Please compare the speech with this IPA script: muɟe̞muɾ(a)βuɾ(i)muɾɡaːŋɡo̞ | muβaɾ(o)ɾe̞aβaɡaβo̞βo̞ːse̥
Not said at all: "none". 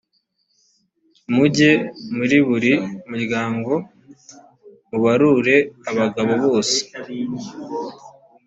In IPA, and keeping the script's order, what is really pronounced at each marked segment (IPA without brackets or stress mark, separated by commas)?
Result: i, i, u